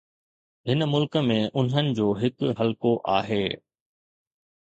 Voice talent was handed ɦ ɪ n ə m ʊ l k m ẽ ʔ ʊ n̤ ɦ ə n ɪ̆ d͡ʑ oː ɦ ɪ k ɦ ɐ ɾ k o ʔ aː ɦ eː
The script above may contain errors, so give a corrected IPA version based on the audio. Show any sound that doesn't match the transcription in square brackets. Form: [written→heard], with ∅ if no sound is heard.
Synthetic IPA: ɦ ɪ n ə m ʊ l k m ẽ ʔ ʊ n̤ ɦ ə n ɪ̆ d͡ʑ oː ɦ ɪ k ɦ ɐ [ɾ→l] k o ʔ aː ɦ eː